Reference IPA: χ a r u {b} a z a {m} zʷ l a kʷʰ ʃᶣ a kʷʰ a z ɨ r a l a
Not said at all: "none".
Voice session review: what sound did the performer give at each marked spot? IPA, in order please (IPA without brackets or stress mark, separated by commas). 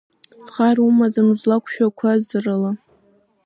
m, m